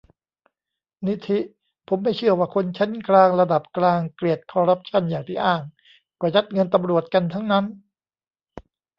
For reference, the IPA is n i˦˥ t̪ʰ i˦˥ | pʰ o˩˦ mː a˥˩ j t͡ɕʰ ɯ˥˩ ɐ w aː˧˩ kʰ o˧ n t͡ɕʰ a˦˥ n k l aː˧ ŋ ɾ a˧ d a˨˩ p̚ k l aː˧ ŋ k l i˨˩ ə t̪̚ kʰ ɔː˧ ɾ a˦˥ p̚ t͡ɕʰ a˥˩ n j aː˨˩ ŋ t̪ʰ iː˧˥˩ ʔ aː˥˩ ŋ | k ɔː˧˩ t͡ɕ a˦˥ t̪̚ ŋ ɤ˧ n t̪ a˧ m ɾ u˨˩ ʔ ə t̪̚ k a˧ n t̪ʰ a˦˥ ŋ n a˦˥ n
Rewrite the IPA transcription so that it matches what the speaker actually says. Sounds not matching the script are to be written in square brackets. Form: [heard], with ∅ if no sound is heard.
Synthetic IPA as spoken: n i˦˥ t̪ʰ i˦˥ | pʰ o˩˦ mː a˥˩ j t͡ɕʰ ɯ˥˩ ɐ w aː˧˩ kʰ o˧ n t͡ɕʰ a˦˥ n k l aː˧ ŋ ɾ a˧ d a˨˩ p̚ k l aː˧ ŋ k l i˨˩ ə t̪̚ kʰ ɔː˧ ɾ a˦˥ p̚ t͡ɕʰ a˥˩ n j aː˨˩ ŋ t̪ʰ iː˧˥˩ ʔ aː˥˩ ŋ | k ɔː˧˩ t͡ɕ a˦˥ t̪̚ ŋ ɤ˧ n t̪ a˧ m ɾ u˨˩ [∅] ə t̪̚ k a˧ n t̪ʰ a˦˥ ŋ n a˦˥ n